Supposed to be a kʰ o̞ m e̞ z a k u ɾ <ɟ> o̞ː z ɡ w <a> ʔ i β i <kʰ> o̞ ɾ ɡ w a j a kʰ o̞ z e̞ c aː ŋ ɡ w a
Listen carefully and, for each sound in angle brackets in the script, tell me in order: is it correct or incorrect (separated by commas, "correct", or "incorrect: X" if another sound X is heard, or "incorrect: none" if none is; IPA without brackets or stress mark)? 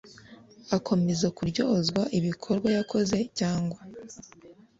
correct, correct, correct